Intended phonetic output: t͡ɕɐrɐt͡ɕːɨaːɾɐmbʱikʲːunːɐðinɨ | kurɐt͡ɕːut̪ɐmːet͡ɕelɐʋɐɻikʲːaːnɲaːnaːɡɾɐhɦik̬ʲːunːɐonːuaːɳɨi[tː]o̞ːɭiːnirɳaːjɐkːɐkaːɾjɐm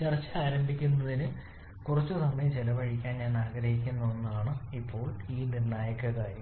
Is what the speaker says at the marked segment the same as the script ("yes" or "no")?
no